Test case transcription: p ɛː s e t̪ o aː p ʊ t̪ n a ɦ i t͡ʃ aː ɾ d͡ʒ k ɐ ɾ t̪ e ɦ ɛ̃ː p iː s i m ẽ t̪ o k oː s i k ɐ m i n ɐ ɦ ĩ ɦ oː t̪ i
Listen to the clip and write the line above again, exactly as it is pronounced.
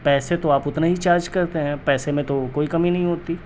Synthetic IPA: p ɛː s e t̪ o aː p ʊ t̪ n a ɦ i t͡ʃ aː ɾ d͡ʒ k ɐ ɾ t̪ e ɦ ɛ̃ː p ɛː s e m ẽ t̪ o k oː i k ɐ m i n ɐ ɦ ĩ ɦ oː t̪ i